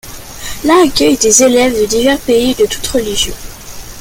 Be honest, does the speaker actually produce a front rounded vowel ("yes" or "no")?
yes